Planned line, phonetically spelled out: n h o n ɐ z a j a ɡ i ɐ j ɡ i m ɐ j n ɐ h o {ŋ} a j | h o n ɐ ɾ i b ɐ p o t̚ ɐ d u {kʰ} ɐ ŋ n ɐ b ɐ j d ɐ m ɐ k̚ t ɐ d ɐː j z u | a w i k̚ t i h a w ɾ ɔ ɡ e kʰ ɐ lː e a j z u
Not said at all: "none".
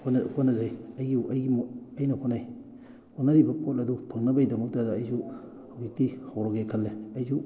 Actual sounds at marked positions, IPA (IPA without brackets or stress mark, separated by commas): n, pʰ